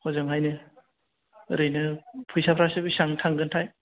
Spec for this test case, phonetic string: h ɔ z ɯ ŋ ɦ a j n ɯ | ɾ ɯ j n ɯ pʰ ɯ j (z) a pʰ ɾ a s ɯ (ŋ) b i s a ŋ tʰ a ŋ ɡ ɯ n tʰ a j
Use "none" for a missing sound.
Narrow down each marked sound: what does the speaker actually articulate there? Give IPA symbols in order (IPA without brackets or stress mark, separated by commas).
s, none